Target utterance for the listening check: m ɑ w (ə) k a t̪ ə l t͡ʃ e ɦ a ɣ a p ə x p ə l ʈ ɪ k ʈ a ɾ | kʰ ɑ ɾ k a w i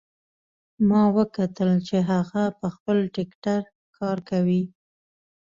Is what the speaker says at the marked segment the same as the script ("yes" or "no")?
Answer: yes